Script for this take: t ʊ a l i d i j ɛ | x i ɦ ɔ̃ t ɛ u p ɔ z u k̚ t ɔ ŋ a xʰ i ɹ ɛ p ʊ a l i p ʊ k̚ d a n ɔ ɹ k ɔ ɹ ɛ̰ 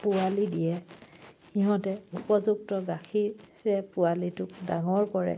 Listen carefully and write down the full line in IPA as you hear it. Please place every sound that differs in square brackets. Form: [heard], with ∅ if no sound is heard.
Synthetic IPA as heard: [p] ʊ a l i d i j ɛ | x i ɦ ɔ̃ t ɛ u p ɔ z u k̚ t ɔ [ɡ] a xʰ i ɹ ɛ p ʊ a l i [t] ʊ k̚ d a [ŋ] ɔ ɹ k ɔ ɹ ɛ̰